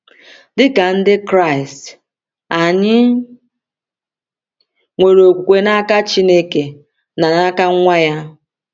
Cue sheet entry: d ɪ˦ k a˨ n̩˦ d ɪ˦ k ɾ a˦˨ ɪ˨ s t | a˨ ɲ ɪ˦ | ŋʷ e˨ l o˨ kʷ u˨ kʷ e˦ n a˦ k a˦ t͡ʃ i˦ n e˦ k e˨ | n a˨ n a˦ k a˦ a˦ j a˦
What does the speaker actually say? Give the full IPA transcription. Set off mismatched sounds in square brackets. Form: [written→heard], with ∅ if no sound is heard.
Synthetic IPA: d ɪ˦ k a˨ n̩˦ d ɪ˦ k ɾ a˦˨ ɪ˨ s t | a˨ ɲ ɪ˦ | ŋʷ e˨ [l→ɾ] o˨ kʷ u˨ kʷ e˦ n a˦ k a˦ t͡ʃ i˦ n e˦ k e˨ | n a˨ n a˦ k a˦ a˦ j a˦